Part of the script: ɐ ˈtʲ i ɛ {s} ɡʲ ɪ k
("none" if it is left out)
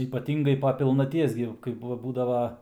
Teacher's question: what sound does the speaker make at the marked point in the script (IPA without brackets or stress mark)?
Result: s